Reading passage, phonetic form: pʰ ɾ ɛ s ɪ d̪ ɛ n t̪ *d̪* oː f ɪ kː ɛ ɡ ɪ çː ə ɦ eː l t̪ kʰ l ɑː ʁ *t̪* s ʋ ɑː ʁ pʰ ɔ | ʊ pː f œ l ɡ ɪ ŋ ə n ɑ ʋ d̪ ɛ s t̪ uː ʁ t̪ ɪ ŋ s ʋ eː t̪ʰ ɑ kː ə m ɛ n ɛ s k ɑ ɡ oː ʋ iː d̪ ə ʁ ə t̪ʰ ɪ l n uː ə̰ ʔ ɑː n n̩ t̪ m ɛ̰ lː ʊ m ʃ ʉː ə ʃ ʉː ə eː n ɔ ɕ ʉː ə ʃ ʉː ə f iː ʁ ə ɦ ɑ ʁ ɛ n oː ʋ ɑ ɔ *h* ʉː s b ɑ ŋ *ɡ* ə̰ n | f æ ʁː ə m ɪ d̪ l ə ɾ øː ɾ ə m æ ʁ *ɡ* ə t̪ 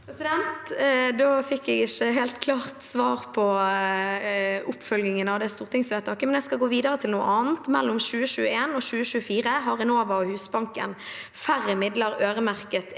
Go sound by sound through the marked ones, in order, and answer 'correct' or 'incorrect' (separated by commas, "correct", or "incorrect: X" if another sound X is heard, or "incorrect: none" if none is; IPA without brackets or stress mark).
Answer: correct, correct, correct, incorrect: k, incorrect: k